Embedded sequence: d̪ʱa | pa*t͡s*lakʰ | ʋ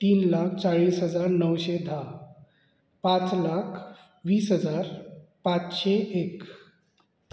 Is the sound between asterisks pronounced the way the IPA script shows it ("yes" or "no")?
yes